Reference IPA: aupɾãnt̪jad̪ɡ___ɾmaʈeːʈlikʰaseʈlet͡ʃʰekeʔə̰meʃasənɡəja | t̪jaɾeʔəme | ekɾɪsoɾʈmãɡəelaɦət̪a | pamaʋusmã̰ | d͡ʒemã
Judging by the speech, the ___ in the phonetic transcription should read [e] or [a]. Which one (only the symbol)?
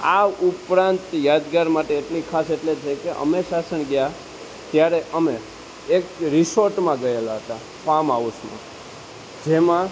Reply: a